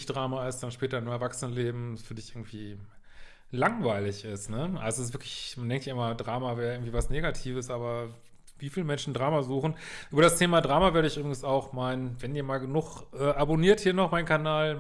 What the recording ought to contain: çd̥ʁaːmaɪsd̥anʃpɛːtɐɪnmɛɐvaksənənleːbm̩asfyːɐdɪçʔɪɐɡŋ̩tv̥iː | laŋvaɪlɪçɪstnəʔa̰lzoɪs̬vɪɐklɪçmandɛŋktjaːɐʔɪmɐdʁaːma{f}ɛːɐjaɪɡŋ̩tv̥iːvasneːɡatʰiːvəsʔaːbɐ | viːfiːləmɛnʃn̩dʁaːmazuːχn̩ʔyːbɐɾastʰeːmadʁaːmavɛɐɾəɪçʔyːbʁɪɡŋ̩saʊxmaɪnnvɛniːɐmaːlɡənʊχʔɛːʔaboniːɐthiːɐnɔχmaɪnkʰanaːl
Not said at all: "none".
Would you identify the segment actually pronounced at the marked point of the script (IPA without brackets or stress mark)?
v